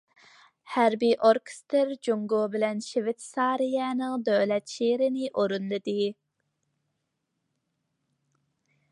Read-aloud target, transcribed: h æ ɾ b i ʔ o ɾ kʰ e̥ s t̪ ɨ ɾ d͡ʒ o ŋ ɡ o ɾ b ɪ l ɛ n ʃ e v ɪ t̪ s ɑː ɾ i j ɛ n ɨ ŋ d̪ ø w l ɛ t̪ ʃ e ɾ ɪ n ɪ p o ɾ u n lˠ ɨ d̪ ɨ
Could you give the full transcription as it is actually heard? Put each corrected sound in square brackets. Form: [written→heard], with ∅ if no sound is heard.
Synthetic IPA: h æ ɾ b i ʔ o ɾ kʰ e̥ s t̪ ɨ ɾ d͡ʒ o ŋ ɡ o [ɾ→∅] b ɪ l ɛ n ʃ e v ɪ t̪ s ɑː ɾ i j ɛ n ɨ ŋ d̪ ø w l ɛ t̪ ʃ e ɾ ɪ n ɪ [p→ʔ] o ɾ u n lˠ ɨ d̪ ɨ